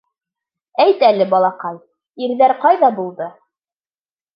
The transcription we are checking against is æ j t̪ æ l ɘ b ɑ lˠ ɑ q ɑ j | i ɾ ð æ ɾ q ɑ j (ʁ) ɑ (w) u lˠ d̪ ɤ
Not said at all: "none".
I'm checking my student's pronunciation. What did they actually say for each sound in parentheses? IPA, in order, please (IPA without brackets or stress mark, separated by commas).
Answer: ð, b